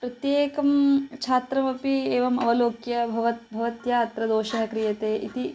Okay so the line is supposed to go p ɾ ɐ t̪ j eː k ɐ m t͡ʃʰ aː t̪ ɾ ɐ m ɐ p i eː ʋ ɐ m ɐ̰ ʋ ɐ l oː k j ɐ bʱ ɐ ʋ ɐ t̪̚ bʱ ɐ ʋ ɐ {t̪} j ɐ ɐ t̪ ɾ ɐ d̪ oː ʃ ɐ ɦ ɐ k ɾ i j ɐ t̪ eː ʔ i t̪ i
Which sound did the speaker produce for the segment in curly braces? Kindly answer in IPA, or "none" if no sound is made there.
t̪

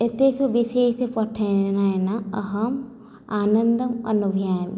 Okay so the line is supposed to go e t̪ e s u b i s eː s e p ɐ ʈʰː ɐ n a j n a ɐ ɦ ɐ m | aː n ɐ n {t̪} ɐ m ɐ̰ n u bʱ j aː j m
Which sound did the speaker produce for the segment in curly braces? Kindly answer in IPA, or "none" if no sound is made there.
d̪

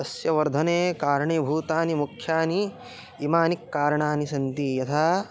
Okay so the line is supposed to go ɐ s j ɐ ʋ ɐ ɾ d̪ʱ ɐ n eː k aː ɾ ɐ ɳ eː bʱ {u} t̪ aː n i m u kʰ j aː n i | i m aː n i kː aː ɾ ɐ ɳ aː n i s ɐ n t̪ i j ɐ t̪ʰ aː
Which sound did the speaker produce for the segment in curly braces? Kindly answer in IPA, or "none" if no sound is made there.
uː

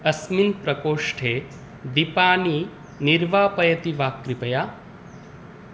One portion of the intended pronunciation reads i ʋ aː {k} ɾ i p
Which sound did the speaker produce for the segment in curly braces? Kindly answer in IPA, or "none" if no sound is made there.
k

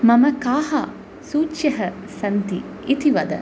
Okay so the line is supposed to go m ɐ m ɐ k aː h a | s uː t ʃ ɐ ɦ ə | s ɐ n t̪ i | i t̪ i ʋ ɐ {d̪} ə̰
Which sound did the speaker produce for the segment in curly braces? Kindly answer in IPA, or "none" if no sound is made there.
d̪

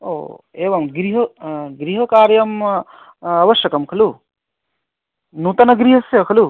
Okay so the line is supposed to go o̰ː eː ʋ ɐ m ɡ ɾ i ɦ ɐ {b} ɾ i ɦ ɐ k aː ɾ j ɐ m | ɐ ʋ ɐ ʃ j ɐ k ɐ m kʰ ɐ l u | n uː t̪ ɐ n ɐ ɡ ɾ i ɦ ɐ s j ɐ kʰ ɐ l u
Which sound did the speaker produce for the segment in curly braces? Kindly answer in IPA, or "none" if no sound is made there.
ɡ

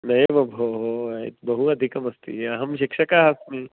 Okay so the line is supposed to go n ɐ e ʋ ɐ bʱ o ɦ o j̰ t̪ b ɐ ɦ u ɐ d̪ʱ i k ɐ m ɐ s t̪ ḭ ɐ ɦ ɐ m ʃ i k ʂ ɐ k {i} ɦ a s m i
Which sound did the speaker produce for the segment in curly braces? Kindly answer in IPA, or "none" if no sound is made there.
a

